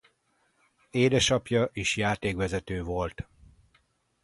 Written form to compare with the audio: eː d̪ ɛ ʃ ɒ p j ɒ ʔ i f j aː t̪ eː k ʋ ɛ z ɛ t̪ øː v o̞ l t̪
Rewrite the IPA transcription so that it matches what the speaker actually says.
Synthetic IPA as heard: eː d̪ ɛ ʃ ɒ p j ɒ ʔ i ʃ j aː t̪ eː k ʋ ɛ z ɛ t̪ øː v o̞ l t̪